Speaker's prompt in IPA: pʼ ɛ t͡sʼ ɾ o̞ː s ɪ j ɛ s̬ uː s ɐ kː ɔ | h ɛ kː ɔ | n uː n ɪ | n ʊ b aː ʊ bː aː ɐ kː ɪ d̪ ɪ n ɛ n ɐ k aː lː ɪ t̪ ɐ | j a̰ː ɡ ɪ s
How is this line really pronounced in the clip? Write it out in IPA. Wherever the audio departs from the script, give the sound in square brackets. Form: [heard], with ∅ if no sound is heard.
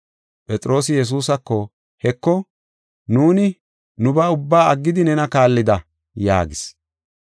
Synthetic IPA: pʼ ɛ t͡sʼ ɾ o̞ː s ɪ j ɛ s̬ uː s ɐ kː ɔ | h ɛ kː ɔ | n uː n ɪ | n ʊ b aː ʊ bː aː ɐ [ɡː] ɪ d̪ ɪ n ɛ n ɐ k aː lː ɪ [d̪] ɐ | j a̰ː ɡ ɪ s